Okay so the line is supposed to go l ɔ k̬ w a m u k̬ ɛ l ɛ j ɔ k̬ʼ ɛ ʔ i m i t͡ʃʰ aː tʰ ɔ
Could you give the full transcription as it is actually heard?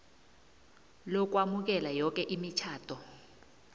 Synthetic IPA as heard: l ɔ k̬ w a m u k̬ ɛ l a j ɔ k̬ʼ ɛ ʔ i m i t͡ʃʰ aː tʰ ɔ